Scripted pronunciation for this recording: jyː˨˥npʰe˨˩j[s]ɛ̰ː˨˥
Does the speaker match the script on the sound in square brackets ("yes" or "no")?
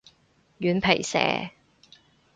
yes